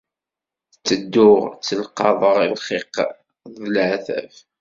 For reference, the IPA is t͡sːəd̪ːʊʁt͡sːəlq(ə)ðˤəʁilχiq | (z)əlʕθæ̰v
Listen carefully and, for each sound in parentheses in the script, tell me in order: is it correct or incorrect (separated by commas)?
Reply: incorrect, incorrect